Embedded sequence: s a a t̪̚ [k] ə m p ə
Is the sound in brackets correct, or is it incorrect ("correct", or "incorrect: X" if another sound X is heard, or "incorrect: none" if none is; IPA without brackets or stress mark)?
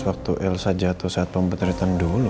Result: incorrect: p